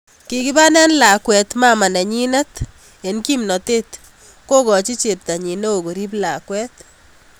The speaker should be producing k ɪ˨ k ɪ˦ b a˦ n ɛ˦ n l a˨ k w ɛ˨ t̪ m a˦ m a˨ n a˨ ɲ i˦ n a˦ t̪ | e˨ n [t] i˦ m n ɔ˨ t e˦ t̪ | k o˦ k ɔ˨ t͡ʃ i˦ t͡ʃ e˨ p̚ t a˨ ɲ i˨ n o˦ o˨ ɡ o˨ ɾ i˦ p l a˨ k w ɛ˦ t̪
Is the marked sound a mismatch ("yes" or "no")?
yes